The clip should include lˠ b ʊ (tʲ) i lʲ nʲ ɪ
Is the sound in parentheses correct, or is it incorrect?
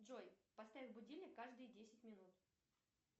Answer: incorrect